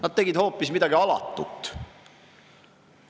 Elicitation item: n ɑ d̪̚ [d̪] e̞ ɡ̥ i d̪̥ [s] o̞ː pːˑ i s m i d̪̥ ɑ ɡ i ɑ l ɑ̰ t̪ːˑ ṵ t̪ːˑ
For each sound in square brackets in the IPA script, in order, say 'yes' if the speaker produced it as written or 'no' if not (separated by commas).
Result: no, no